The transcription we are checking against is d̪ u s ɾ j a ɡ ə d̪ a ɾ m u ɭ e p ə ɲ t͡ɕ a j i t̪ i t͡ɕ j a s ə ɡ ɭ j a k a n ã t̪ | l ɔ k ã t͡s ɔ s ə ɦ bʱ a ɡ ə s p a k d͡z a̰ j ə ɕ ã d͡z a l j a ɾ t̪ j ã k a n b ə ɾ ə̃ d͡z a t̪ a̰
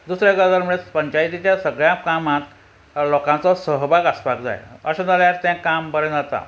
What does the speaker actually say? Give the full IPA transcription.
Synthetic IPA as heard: d̪ u s ɾ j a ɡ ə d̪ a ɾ m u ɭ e p ə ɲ t͡ɕ a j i t̪ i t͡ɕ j a s ə ɡ ɭ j a k a m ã t̪ | l ɔ k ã t͡s ɔ s ə ɦ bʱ a ɡ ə s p a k d͡z a̰ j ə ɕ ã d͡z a l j a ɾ t̪ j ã k a m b ə ɾ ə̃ d͡z a t̪ a̰